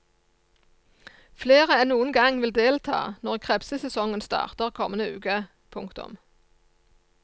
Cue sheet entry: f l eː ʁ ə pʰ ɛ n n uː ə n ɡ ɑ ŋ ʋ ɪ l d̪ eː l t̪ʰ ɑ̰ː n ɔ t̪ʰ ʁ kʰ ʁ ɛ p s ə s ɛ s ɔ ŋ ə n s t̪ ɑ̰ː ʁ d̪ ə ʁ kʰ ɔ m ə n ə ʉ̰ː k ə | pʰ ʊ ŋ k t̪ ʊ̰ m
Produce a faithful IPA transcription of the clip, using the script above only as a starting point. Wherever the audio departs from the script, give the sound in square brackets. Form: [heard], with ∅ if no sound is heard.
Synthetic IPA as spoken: f l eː ʁ ə [∅] ɛ n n uː ə n ɡ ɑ ŋ ʋ ɪ l d̪ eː l t̪ʰ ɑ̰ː n ɔ [∅] ʁ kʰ ʁ ɛ p s ə s ɛ s ɔ ŋ ə n s t̪ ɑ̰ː ʁ [t̪] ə ʁ kʰ ɔ m ə n ə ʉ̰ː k ə | pʰ ʊ ŋ k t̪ ʊ̰ m